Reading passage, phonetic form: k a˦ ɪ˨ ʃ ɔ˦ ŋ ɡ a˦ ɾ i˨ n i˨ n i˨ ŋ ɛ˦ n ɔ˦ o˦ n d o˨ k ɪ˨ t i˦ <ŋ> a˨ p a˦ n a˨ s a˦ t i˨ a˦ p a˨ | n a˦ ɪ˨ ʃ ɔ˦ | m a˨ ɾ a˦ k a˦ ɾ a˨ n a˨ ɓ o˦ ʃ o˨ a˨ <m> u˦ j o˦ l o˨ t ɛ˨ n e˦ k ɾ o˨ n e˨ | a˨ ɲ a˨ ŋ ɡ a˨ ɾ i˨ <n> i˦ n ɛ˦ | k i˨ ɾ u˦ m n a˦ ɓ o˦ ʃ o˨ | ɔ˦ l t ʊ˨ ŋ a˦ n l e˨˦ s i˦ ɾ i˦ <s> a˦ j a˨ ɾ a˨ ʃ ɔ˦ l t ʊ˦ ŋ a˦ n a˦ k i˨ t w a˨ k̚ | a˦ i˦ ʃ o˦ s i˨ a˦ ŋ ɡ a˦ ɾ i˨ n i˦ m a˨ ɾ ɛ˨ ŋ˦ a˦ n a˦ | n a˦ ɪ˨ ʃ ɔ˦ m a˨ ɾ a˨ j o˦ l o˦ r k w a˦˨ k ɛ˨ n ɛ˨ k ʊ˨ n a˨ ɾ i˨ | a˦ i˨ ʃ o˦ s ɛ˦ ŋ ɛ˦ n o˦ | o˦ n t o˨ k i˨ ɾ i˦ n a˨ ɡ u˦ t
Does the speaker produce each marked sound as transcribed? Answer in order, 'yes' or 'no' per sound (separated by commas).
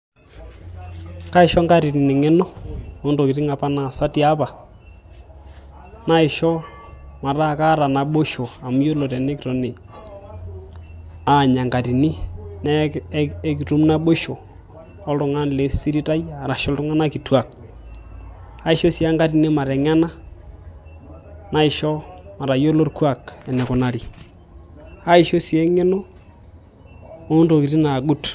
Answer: yes, yes, yes, no